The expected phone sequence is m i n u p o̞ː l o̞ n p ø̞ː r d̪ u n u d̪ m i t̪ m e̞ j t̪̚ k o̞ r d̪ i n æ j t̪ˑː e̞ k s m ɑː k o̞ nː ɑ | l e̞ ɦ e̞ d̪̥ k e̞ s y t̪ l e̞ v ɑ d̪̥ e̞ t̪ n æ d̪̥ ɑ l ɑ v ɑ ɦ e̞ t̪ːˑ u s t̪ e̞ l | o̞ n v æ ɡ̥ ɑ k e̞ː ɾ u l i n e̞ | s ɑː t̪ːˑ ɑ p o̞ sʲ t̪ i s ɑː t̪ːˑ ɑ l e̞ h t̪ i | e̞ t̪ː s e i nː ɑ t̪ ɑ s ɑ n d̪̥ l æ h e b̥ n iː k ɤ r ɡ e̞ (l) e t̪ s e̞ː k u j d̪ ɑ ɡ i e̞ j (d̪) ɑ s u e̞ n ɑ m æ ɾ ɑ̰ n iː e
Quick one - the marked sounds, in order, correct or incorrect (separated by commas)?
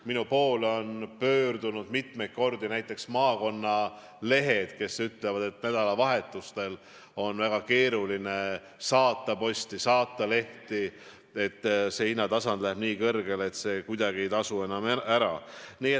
correct, incorrect